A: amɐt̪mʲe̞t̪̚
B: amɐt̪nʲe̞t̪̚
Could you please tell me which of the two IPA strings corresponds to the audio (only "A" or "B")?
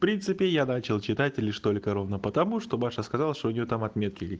A